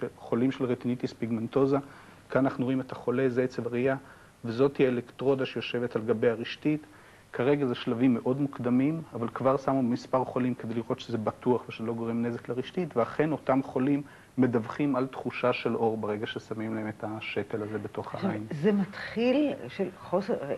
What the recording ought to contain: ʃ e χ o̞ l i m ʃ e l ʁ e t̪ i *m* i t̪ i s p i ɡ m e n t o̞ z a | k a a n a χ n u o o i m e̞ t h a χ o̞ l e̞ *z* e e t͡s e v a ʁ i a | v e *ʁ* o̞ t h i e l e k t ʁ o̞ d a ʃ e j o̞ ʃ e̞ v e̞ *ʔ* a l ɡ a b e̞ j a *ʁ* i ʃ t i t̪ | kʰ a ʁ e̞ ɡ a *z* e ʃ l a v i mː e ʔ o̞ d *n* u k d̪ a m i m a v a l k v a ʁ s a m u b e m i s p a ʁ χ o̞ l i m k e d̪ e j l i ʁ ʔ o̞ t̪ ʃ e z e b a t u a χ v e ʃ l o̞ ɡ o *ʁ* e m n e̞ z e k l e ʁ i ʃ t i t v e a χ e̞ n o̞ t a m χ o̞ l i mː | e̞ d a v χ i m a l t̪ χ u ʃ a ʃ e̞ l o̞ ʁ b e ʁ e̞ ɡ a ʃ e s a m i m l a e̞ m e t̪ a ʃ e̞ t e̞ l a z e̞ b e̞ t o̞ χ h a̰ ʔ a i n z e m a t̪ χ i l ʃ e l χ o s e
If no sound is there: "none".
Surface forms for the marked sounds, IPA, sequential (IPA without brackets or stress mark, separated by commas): n, z, z, t, ʁ, z, m, ʁ